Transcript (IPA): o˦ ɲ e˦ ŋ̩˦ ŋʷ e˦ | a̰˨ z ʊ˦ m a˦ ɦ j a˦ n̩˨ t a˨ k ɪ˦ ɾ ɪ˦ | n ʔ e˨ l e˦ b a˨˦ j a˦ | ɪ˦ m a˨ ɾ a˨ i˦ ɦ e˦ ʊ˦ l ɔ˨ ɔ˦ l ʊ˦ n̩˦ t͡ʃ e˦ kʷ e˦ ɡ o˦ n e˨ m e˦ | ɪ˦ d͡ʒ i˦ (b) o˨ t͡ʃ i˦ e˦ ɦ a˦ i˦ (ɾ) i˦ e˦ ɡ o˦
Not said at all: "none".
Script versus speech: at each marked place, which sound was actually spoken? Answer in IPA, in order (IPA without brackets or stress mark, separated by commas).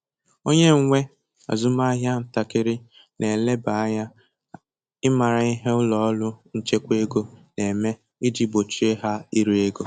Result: b, ɾ